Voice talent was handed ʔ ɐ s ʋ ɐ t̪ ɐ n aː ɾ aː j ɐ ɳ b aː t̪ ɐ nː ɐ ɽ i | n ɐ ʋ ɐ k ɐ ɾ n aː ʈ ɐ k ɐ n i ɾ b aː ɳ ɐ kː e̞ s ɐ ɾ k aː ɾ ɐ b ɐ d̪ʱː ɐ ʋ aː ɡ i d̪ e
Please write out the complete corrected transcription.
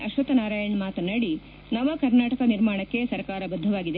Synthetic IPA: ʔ ɐ ʃ ʋ ɐ t̪ ɐ n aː ɾ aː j ɐ ɳ m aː t̪ ɐ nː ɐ ɽ i | n ɐ ʋ ɐ k ɐ ɾ n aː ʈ ɐ k ɐ n i ɾ m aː ɳ ɐ kː e̞ s ɐ ɾ k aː ɾ ɐ b ɐ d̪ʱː ɐ ʋ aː ɡ i d̪ e

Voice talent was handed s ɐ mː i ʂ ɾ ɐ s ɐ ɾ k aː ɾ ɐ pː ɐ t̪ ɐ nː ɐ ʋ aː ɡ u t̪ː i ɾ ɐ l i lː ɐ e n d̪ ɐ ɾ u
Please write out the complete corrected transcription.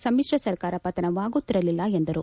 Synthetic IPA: s ɐ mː i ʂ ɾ ɐ s ɐ ɾ k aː ɾ ɐ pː ɐ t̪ ɐ n ɐ ʋ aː ɡ u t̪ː i ɾ ɐ l i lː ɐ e n d̪ ɐ ɾ u

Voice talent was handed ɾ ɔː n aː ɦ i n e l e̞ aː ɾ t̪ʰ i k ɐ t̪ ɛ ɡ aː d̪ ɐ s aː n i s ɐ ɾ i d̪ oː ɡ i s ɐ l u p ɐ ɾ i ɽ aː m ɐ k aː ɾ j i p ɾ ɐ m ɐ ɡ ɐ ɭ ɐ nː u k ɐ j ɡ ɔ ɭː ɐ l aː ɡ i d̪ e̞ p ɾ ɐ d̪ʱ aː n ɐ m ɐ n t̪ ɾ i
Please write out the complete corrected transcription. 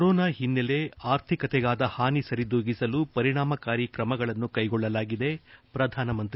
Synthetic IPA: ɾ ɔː n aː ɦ i nː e l e̞ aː ɾ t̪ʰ i k ɐ t̪ ɛ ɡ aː d̪ ɐ h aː n i s ɐ ɾ i d̪ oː ɡ i s ɐ l u p ɐ ɾ i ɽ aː m ɐ k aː ɾ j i k ɾ ɐ m ɐ ɡ ɐ ɭ ɐ nː u k ɐ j ɡ ɔ ɭː ɐ l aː ɡ i d̪ e̞ p ɾ ɐ d̪ʱ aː n ɐ m ɐ n t̪ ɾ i

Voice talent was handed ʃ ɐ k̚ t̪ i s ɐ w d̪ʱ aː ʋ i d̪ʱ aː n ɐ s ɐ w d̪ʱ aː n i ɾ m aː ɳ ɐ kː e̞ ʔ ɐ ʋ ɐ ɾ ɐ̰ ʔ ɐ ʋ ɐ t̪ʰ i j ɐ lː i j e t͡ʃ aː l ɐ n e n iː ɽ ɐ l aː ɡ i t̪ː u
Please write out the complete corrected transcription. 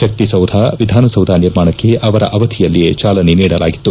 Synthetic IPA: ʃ ɐ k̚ t̪ i s ɐ w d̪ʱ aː ʋ i d̪ʱ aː n ɐ s ɐ w d̪ʱ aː n i ɾ m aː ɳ ɐ kː e̞ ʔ ɐ ʋ ɐ ɾ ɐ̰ ʔ ɐ ʋ ɐ t̪ʰ i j ɐ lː i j e t͡ʃ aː l ɐ n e n iː ɽ ɐ l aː ɡ i t̪ː u

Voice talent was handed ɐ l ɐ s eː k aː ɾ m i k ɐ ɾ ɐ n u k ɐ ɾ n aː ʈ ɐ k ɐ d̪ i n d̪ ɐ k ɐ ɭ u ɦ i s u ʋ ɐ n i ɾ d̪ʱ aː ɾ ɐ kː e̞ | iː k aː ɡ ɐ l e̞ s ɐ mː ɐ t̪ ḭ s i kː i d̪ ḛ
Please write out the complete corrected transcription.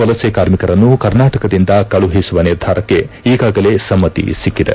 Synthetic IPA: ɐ l ɐ s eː k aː ɾ m i k ɐ ɾ ɐ nː u k ɐ ɾ n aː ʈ ɐ k ɐ d̪ i n d̪ ɐ k ɐ ɭ u ɦ i s u ʋ ɐ n i ɾ d̪ʱ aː ɾ ɐ kː e̞ | iː ɡ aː ɡ ɐ l e̞ s ɐ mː ɐ t̪ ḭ s i kː i d̪ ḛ

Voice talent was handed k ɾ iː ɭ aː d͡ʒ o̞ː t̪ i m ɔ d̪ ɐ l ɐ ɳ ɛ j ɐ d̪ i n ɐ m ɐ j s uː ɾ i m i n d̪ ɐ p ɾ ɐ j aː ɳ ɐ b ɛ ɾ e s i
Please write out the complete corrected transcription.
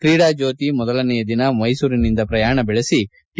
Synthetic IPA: k ɾ iː ɽ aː d͡ʒ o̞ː t̪ i m ɔ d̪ ɐ l ɐ n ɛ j ɐ d̪ i n ɐ m ɐ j s uː ɾ i n i n d̪ ɐ p ɾ ɐ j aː ɳ ɐ b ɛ ɭ e s i

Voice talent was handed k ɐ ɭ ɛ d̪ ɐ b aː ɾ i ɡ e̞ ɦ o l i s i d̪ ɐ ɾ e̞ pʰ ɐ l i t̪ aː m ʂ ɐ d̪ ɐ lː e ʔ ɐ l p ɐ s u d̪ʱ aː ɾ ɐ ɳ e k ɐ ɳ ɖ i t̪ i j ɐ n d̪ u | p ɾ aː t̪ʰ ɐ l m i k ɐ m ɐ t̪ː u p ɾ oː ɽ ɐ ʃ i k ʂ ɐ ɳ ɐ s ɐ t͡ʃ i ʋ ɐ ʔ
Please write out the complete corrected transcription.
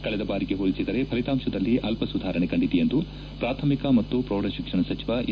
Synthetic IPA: k ɐ ɭ ɛ d̪ ɐ b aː ɾ i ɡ e̞ ɦ o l i s i d̪ ɐ ɾ e̞ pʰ ɐ l i t̪ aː m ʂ ɐ d̪ ɐ lː i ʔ ɐ l p ɐ s u d̪ʱ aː ɾ ɐ ɳ e k ɐ ɳ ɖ i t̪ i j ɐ n d̪ u | p ɾ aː t̪ʰ ɐ m i k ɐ m ɐ t̪ː u p ɾ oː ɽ ɐ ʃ i k ʂ ɐ ɳ ɐ s ɐ t͡ʃ i ʋ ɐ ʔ

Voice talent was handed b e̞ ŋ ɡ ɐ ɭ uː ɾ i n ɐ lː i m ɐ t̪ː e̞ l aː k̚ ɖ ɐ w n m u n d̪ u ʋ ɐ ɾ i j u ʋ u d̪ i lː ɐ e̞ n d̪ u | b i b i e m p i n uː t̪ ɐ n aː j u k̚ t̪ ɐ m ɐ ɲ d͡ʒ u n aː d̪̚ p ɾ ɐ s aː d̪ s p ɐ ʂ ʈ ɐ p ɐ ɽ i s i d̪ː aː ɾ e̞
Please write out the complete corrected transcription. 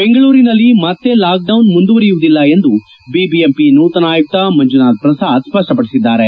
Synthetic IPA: b e̞ ŋ ɡ ɐ ɭ uː ɾ i n ɐ lː i m ɐ t̪ː e̞ l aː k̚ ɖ ɐ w n m u n d̪ u ʋ ɐ ɾ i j u ʋ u d̪ i lː ɐ e̞ n d̪ u | b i b i e m p i n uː t̪ ɐ n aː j u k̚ t̪ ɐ m ɐ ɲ d͡ʒ u n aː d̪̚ p ɾ ɐ s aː d̪ s p ɐ ʂ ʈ ɐ p ɐ ɽ i s i d̪ː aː ɾ e̞

